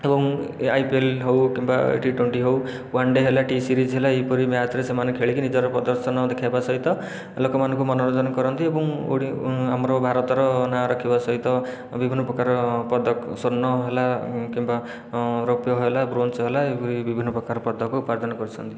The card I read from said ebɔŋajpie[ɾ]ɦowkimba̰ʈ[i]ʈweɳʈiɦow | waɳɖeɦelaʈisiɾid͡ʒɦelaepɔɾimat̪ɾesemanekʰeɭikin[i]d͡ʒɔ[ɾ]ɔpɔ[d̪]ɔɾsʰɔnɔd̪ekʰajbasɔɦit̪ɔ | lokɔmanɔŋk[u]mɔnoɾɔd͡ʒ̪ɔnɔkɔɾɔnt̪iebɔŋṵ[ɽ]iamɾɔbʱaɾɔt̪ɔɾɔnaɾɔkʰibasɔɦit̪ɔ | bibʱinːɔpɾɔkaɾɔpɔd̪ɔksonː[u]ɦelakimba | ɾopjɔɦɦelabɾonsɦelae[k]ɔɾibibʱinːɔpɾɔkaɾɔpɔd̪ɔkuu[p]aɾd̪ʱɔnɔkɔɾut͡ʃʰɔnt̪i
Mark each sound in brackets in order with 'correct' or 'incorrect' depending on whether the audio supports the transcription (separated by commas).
incorrect, correct, correct, correct, correct, correct, correct, incorrect, incorrect, correct